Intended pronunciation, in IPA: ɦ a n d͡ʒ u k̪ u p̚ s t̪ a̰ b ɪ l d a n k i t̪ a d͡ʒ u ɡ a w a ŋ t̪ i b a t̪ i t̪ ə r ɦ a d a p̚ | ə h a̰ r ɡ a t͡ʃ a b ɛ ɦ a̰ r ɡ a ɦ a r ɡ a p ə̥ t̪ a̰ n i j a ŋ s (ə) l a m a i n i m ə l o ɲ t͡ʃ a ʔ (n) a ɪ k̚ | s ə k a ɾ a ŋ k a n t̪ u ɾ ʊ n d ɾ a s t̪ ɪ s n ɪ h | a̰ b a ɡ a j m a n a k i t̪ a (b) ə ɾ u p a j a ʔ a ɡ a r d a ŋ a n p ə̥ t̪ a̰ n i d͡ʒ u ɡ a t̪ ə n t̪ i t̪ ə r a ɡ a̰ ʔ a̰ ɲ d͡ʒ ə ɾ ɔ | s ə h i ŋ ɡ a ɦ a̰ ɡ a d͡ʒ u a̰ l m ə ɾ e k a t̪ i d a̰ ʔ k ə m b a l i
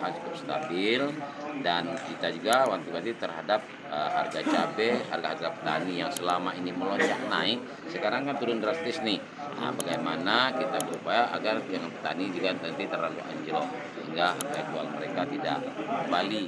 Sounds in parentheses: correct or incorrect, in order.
correct, correct, correct

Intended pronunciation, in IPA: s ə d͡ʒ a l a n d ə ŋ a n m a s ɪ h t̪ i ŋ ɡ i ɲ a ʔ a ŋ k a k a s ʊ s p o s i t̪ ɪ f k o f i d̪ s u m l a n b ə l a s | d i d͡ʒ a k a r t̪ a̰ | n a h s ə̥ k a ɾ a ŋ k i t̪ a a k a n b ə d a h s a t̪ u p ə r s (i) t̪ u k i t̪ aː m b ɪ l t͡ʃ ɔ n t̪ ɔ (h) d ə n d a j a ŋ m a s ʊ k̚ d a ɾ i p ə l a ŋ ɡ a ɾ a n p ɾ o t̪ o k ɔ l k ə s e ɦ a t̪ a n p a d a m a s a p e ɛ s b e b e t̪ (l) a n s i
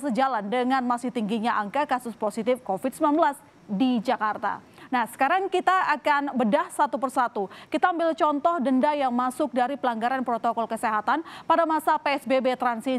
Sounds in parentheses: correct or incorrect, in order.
incorrect: a, correct, incorrect: ɾ

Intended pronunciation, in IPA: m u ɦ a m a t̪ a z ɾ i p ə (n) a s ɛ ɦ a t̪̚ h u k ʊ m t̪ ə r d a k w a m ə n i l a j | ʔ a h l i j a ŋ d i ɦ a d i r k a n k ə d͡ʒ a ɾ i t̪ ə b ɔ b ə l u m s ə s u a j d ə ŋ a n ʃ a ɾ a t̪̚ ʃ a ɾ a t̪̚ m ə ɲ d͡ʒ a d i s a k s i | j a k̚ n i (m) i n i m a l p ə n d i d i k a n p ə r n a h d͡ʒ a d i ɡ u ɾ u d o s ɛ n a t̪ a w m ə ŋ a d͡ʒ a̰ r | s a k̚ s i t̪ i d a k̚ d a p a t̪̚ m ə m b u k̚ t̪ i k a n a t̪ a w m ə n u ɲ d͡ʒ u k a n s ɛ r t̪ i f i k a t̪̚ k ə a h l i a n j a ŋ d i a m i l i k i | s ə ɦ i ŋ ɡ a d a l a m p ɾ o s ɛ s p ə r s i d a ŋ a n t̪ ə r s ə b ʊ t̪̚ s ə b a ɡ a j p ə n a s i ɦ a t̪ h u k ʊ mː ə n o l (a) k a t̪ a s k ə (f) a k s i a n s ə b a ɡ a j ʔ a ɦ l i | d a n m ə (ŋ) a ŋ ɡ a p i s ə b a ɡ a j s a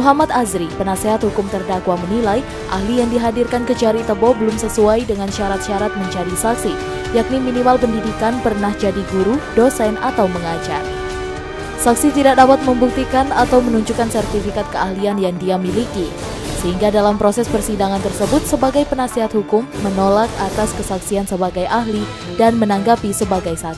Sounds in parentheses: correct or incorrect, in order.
correct, correct, correct, incorrect: s, incorrect: n

